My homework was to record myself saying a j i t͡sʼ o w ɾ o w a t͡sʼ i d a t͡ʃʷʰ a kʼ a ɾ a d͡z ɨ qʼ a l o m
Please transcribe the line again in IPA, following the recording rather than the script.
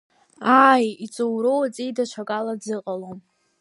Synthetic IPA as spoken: a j i t͡sʼ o w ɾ o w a t͡sʼ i d a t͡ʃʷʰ a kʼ a l a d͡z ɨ qʼ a l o m